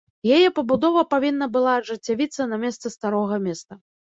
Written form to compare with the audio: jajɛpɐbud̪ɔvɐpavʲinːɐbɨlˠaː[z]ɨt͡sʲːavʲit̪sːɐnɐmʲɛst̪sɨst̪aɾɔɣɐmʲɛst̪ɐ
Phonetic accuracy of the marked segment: incorrect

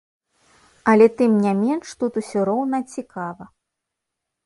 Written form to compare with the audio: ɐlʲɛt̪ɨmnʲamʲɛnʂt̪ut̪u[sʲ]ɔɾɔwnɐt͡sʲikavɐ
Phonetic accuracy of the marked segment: correct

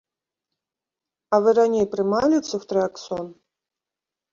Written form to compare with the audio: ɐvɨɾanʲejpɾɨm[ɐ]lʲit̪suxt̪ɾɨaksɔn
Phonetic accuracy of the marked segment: incorrect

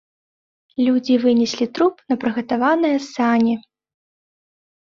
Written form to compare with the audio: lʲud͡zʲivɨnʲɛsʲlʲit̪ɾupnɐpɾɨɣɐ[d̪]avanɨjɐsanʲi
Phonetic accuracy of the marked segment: incorrect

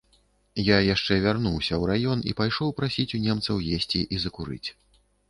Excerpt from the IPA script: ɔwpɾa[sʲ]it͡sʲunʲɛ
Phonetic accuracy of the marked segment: correct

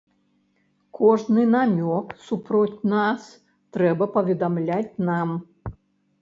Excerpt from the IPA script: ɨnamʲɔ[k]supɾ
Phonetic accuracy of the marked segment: correct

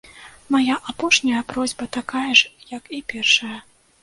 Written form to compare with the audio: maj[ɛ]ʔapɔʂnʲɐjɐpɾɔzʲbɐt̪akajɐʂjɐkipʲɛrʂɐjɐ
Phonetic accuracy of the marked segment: incorrect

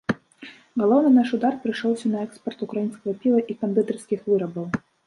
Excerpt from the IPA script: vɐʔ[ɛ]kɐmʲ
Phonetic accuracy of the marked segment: incorrect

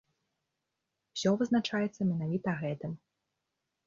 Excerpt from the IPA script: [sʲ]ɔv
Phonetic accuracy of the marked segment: correct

